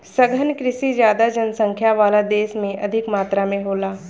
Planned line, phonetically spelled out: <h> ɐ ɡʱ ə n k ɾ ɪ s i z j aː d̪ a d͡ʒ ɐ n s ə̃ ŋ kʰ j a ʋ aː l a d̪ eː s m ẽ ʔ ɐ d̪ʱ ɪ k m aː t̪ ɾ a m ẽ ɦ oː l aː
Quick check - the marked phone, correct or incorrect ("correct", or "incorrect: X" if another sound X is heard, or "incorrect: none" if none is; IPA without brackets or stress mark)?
incorrect: s